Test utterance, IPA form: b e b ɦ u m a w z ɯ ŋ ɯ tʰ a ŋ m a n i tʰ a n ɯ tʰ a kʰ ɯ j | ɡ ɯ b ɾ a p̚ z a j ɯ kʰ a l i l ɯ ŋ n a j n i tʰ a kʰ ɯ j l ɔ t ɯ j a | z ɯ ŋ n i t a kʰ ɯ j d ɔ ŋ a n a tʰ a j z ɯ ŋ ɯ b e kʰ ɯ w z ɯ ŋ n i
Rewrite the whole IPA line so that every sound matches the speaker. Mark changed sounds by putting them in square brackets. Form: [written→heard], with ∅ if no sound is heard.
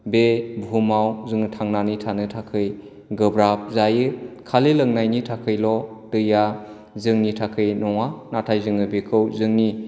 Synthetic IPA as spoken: b e b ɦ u m a w z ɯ ŋ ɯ tʰ a ŋ [m→n] a n i tʰ a n ɯ tʰ a kʰ ɯ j | ɡ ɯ b ɾ a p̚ z a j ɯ kʰ a l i l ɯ ŋ n a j n i tʰ a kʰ ɯ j l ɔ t ɯ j a | z ɯ ŋ n i [t→tʰ] a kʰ ɯ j [d→n] ɔ ŋ a n a tʰ a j z ɯ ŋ ɯ b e kʰ ɯ w z ɯ ŋ n i